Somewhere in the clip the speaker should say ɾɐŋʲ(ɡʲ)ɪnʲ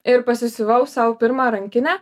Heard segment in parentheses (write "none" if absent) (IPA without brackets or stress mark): kʲ